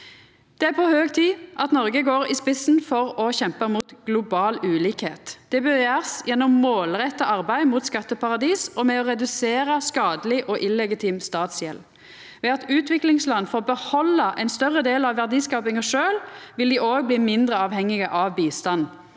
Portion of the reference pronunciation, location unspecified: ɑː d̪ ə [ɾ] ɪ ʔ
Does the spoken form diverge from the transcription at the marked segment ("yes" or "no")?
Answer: yes